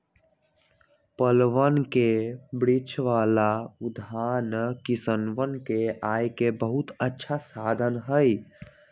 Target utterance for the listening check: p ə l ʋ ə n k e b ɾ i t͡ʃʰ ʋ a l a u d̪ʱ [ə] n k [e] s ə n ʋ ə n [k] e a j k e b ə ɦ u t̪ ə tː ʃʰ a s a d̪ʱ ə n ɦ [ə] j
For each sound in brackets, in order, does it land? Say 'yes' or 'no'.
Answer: no, no, yes, yes

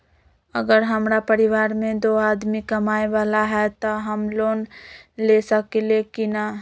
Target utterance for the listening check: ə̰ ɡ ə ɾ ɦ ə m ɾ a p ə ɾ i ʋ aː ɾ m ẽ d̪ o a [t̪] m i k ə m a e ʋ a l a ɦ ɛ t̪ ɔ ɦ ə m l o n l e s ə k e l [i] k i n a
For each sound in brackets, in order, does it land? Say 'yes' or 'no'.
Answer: no, no

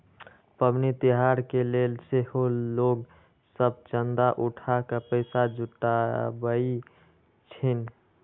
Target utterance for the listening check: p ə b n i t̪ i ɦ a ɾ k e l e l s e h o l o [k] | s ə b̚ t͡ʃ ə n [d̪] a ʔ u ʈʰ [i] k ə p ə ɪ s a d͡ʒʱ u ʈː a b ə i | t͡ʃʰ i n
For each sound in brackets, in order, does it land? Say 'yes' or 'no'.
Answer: no, yes, no

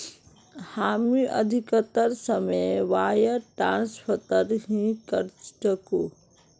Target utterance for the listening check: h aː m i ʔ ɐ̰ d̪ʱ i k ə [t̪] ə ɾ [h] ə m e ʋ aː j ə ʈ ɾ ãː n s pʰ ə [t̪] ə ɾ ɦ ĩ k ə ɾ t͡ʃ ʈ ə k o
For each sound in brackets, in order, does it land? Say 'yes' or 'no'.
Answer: yes, no, yes

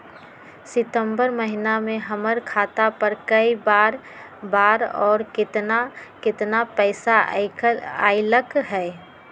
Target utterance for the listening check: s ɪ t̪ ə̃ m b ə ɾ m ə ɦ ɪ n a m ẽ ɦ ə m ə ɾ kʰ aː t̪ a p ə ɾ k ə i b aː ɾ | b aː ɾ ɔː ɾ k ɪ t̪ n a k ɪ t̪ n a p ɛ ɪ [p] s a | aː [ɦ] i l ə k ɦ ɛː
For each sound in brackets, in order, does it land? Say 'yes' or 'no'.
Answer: no, no

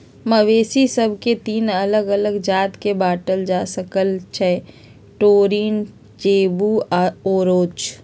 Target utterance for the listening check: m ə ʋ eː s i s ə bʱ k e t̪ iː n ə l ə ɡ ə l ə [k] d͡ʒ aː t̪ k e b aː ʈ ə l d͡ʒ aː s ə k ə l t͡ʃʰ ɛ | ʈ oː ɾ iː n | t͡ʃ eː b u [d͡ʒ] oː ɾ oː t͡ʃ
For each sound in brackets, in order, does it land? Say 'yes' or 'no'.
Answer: no, no

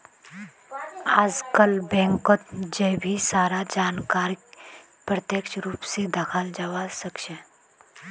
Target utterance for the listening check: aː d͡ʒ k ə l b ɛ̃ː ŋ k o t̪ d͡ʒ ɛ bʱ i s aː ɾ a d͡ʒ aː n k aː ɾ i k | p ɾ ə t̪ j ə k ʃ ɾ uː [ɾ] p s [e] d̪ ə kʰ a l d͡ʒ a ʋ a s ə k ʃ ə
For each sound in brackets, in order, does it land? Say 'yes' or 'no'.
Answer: no, yes

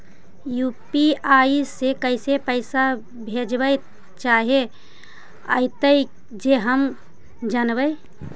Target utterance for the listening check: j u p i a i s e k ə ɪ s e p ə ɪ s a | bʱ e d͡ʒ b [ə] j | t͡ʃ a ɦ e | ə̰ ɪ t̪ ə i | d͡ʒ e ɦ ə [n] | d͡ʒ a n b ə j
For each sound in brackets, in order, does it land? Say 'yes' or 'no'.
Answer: yes, no

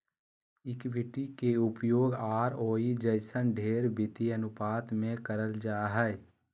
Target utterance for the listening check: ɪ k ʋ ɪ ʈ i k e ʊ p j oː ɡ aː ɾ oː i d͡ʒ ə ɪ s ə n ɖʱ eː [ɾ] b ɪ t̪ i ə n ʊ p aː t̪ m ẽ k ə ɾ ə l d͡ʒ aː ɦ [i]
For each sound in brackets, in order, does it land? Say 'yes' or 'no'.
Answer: yes, no

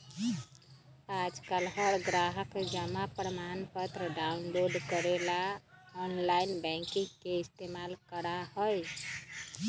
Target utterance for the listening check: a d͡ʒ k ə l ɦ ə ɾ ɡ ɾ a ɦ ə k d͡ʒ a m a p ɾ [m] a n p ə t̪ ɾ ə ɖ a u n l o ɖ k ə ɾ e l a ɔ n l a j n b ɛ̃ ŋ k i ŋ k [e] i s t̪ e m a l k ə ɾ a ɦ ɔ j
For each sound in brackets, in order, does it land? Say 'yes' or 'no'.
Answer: yes, yes

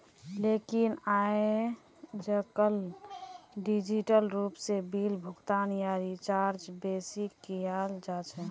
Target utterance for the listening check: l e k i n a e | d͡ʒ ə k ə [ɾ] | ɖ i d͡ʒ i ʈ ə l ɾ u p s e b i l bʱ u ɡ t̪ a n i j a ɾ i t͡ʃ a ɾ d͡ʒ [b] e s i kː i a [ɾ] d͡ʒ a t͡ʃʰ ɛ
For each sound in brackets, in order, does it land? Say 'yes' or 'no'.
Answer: no, yes, no

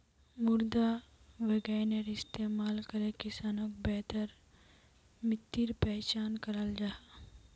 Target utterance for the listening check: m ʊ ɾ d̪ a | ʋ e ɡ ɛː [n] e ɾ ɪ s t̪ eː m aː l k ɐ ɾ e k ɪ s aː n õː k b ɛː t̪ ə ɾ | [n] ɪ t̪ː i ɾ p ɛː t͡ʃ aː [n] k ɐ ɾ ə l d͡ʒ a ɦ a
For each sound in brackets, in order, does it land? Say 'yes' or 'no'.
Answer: yes, no, yes

